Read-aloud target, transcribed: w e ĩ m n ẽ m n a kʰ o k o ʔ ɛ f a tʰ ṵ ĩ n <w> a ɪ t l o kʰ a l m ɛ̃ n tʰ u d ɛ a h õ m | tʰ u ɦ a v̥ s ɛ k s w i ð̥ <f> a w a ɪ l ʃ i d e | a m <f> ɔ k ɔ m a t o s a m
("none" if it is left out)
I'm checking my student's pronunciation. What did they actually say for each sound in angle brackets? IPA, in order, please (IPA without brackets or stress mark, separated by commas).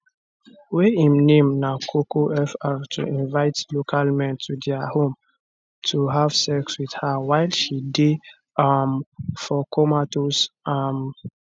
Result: v, h, f